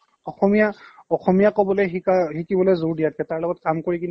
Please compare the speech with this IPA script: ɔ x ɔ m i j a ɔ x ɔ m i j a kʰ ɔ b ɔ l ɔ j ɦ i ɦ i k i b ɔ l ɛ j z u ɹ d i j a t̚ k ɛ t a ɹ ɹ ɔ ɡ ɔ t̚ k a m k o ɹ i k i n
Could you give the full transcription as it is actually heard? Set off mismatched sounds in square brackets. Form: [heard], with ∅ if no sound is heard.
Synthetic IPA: ɔ x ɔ m i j a ɔ x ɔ m i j a [k] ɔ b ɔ l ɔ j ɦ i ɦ i k i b ɔ l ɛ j z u ɹ d i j a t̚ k ɛ t a ɹ [l] ɔ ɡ ɔ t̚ k a m k o ɹ i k i n